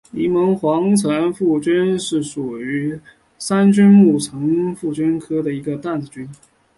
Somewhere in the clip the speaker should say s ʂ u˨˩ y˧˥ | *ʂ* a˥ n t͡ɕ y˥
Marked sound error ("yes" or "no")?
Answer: yes